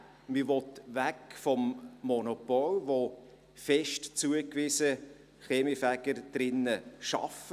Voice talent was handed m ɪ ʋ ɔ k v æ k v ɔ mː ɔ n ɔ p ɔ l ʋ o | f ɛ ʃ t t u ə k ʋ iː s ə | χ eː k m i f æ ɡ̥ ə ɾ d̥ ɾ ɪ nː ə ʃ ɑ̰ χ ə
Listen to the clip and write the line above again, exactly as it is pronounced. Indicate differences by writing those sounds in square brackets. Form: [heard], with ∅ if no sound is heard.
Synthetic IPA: m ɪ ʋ ɔ [t] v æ k [f] ɔ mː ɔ n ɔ p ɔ l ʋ o | f ɛ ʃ t [t͡s] u ə k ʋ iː s ə | χ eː [∅] m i f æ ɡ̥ ə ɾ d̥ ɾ ɪ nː ə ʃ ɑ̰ [f] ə